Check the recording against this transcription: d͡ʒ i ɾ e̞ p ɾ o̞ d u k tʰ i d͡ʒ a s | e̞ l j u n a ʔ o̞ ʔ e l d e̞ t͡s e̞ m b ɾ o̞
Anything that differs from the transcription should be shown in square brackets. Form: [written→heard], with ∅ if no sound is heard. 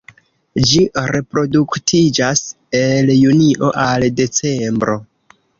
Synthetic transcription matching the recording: d͡ʒ i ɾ e̞ p ɾ o̞ d u k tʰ i d͡ʒ a s | e̞ l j u n [a→i] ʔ o̞ ʔ [e→a] l d e̞ t͡s e̞ m b ɾ o̞